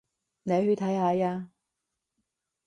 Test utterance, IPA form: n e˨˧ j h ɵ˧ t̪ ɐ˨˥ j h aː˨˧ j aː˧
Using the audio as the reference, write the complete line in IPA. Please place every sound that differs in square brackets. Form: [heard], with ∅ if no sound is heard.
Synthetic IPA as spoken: n e˨˧ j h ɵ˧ [t̪ʰ] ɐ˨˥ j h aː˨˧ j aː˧